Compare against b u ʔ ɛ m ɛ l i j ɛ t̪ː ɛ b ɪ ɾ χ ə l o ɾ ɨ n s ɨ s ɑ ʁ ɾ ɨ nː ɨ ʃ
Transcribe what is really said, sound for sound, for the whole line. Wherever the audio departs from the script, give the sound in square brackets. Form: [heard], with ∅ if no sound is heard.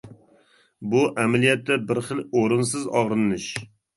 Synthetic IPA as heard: b u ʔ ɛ m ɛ l i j ɛ t̪ː ɛ b ɪ ɾ χ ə l o ɾ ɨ n s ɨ [z] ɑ ʁ ɾ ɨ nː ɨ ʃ